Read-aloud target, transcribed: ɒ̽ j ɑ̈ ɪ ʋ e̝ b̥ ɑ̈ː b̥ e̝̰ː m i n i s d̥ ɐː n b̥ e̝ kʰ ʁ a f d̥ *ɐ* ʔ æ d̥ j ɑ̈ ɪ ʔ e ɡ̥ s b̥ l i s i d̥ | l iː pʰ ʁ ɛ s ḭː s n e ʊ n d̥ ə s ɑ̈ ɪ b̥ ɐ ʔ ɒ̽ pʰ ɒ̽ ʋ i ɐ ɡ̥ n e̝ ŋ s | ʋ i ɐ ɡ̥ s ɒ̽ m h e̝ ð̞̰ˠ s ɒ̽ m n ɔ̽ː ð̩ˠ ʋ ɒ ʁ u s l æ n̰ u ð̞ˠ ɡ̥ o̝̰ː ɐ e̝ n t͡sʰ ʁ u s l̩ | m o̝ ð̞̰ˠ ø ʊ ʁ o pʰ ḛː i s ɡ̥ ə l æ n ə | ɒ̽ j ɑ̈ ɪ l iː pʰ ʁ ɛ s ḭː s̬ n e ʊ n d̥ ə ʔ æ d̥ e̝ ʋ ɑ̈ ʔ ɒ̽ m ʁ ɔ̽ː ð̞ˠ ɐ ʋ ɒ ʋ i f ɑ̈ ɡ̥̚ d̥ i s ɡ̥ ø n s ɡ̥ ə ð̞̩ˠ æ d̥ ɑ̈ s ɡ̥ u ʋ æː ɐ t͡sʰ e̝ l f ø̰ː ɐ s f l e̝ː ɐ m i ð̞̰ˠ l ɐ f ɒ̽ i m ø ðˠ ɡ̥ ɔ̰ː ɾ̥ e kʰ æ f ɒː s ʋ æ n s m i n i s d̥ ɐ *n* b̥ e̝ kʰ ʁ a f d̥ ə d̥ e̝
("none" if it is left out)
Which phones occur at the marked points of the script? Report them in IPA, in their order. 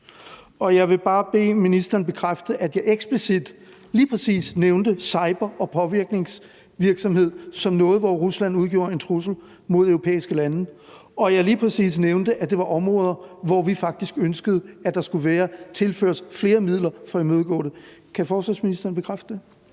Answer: ə, n

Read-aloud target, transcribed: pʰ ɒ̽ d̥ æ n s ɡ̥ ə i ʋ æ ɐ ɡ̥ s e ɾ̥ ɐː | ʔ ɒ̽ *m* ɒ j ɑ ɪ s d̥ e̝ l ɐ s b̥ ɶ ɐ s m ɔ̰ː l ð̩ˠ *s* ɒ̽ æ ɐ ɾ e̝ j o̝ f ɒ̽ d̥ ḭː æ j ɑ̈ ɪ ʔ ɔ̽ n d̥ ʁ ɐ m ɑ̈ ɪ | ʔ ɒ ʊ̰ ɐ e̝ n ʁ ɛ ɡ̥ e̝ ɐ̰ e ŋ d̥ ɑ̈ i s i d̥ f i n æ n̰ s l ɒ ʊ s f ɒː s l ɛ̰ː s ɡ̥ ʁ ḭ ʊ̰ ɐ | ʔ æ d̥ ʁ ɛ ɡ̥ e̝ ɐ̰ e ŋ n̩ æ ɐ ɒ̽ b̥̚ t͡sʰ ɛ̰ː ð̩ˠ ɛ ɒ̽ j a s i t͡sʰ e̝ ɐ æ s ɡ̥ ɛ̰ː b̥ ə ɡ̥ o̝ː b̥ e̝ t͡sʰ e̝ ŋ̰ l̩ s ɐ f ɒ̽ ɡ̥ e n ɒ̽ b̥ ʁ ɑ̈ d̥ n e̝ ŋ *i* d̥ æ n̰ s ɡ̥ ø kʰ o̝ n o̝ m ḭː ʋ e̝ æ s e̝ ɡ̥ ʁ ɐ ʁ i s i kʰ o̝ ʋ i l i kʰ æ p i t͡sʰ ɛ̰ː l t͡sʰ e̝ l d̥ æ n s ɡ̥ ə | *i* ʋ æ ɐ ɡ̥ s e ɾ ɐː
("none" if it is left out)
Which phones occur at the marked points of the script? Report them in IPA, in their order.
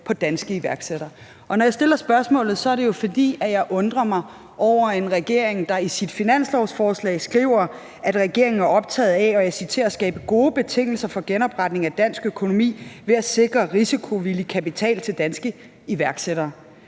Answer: n, s, æ, i

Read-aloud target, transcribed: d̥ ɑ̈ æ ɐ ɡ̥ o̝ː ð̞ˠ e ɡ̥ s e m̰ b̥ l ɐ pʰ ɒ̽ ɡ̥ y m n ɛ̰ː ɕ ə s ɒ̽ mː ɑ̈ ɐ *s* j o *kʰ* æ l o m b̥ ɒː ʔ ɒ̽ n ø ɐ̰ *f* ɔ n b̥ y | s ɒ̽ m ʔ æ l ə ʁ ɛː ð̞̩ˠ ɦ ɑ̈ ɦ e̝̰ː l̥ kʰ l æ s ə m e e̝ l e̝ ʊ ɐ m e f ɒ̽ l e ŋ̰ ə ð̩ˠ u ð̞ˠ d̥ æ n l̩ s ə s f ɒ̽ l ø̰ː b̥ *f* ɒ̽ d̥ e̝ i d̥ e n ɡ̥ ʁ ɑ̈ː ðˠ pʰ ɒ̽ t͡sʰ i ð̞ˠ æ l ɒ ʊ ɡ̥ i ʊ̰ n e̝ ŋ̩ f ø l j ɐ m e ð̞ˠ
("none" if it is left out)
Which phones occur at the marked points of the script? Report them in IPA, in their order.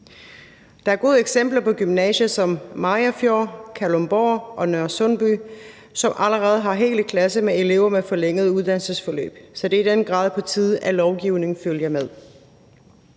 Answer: f, kʰ, s, s

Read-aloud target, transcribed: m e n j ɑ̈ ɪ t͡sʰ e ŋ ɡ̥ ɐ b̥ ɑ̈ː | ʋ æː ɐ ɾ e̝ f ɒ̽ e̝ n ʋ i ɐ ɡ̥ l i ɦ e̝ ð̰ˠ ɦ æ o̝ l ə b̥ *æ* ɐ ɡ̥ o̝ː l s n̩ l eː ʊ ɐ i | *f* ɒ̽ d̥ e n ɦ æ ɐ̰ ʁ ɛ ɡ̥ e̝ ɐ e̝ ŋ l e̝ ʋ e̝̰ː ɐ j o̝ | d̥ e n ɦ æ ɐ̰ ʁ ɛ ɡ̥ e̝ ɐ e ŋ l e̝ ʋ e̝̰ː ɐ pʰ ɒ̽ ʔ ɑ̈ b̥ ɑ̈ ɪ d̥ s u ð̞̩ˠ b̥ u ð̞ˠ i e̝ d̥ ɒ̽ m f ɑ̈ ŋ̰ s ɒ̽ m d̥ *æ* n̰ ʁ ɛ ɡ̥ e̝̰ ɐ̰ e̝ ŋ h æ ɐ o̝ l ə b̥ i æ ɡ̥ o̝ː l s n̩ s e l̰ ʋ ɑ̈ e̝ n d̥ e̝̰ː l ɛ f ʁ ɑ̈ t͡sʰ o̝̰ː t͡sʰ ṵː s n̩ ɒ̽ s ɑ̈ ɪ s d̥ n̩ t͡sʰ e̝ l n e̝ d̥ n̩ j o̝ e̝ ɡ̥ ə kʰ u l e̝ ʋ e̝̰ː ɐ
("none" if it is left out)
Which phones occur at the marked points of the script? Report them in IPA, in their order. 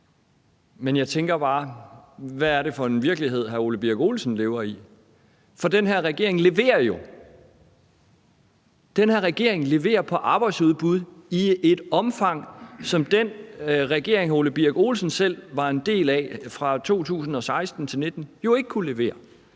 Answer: i, f, e

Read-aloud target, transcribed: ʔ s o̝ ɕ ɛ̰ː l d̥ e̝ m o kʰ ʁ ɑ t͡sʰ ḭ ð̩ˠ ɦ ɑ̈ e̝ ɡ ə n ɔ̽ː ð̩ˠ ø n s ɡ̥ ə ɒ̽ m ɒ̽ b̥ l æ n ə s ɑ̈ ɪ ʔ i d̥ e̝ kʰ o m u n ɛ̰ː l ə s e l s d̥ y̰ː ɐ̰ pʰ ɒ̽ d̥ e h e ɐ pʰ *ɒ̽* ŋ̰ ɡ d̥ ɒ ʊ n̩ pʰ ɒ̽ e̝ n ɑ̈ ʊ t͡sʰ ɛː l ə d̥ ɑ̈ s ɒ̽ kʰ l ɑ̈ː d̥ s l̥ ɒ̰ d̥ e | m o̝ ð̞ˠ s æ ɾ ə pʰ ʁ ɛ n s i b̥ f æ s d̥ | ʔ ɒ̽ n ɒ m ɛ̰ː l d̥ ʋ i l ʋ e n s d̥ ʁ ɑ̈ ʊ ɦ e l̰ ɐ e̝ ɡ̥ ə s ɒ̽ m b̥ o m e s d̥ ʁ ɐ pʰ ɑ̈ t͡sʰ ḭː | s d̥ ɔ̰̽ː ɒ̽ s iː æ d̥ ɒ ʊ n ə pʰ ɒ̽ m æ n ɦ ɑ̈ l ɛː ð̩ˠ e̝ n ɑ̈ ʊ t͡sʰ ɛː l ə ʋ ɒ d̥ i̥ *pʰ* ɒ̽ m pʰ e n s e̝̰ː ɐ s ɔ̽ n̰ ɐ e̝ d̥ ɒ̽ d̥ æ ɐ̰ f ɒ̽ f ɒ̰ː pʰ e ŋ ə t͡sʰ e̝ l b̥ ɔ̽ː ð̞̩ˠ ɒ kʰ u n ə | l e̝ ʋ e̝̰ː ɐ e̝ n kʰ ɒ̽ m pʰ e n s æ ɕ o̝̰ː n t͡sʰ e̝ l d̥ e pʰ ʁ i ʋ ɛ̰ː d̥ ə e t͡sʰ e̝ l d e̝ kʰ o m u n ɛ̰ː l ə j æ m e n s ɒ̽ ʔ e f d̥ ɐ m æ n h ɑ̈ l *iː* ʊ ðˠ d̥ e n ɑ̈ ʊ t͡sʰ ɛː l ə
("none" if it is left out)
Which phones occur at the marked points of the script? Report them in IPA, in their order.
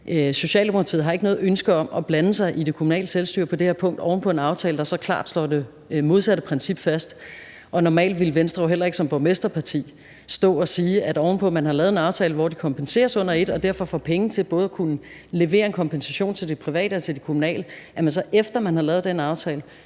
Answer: ɔ̽, kʰ, ɛː

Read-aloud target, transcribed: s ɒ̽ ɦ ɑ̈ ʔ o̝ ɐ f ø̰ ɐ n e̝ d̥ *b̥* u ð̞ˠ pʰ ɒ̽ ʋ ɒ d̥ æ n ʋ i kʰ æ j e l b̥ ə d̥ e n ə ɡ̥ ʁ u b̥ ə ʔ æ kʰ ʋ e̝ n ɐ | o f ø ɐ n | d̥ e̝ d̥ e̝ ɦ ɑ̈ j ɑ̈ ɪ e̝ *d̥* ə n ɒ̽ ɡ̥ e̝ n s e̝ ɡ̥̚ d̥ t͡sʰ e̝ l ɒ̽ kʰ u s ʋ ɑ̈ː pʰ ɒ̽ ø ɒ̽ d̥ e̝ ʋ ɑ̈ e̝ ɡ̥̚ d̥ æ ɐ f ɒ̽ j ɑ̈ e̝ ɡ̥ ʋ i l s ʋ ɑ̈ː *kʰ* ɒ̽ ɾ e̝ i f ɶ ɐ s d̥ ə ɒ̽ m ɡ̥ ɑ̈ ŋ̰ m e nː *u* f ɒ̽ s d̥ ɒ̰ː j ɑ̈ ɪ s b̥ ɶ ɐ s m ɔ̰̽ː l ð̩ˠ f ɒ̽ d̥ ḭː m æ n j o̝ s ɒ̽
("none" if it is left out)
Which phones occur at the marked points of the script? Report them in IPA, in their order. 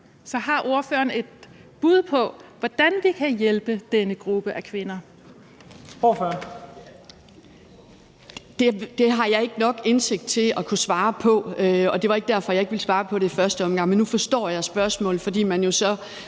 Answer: b̥, ɡ̥, pʰ, u

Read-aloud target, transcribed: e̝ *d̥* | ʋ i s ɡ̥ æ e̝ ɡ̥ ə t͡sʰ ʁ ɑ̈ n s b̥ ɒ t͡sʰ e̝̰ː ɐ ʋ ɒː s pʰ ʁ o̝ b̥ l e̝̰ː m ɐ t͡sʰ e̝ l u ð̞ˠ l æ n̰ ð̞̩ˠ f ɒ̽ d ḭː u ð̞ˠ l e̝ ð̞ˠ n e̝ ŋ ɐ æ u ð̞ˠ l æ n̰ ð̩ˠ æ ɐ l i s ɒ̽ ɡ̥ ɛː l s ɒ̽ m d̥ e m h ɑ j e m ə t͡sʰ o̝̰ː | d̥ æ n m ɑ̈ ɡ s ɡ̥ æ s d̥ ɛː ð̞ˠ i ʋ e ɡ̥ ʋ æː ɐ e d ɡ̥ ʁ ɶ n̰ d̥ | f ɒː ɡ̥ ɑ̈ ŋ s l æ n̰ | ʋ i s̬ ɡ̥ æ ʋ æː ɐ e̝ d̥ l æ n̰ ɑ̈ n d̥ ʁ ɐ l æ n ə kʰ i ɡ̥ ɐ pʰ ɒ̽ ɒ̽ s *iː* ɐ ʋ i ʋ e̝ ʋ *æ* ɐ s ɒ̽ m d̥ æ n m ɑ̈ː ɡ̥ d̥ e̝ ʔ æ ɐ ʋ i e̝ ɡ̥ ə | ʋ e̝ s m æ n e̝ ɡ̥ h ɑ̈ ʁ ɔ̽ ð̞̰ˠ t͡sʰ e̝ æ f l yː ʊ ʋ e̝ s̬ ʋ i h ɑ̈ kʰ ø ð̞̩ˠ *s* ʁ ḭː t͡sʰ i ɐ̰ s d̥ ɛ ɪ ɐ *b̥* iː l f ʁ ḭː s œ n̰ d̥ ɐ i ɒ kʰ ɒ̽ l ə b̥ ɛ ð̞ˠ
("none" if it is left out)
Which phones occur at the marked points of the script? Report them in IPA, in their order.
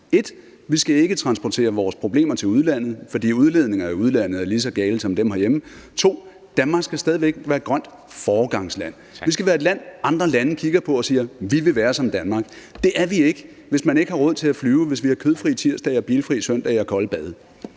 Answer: d̥, iː, æː, f, b̥

